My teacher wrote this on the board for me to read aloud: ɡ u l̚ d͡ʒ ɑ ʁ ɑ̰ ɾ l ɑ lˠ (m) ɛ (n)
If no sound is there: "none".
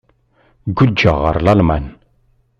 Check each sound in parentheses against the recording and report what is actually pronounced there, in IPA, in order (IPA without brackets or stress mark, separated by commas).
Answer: m, n